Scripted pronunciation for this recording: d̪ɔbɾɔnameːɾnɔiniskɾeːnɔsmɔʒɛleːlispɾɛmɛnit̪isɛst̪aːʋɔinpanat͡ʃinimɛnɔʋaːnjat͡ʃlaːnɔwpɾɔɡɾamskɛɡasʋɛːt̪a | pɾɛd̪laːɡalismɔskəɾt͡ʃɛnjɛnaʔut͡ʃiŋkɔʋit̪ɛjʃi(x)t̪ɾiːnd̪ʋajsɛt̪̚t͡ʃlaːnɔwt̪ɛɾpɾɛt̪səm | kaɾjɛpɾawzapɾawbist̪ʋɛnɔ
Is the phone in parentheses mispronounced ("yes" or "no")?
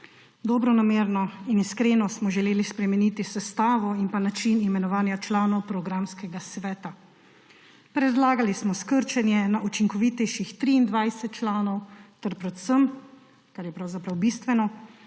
no